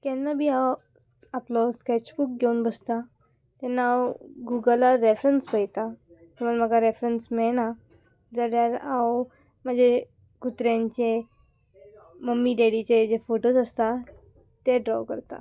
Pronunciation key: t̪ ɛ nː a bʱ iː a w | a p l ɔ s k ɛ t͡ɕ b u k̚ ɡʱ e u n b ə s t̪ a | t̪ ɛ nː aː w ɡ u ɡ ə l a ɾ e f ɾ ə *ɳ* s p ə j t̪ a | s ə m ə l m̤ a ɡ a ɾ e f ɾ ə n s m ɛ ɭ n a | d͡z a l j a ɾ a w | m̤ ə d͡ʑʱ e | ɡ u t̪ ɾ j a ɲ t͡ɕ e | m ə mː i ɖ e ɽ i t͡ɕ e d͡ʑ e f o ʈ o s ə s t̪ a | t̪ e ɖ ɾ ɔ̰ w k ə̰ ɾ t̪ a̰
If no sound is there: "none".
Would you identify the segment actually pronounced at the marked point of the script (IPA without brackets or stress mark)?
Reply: n